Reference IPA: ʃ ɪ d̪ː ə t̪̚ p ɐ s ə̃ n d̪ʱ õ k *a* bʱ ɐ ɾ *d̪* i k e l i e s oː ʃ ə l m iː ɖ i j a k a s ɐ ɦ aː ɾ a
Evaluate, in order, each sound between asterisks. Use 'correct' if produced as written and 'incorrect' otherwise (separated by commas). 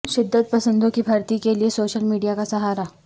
incorrect, incorrect